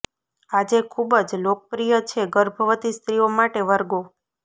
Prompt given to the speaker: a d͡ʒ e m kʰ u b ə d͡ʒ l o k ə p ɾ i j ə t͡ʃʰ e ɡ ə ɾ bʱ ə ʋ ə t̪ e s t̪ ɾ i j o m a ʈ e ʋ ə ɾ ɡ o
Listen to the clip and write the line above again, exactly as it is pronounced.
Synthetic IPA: a d͡ʒ e kʰ u b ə d͡ʒ l o k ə p ɾ i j ə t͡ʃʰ e ɡ ə ɾ bʱ ə ʋ ə t̪ i s t̪ ɾ i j o m a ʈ e ʋ ə ɾ ɡ o